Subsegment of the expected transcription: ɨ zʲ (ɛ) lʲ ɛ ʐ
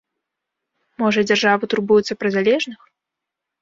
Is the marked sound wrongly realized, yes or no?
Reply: yes